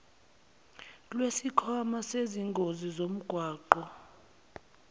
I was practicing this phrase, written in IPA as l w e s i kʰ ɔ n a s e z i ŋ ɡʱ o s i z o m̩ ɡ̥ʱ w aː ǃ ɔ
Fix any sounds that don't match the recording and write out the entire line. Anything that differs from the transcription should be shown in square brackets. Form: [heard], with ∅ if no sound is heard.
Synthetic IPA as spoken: l w e s i kʰ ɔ [m] a s e z i ŋ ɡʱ o [z] i z o m̩ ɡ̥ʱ w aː ǃ ɔ